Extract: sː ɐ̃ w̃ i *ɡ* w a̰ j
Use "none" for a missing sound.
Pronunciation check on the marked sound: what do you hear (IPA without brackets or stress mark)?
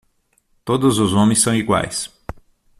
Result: ɡ